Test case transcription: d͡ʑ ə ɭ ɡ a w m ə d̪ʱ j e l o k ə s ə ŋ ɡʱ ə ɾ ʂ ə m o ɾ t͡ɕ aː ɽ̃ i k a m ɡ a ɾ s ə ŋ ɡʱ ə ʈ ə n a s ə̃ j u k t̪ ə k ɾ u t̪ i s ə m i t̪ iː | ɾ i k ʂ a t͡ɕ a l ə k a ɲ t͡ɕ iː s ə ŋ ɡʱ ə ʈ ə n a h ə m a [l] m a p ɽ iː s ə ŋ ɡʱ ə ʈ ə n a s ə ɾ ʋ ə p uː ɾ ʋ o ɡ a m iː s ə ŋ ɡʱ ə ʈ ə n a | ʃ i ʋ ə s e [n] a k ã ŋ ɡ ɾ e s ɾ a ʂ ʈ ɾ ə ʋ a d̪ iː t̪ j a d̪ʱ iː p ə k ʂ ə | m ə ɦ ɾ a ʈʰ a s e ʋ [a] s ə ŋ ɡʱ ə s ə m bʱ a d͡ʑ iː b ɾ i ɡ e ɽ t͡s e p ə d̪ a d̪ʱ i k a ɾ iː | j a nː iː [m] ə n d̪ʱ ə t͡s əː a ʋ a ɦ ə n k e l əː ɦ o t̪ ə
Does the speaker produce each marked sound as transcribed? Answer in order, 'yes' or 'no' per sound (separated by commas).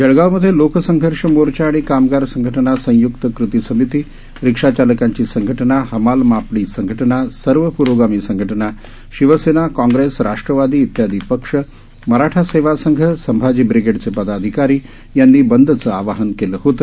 yes, yes, yes, no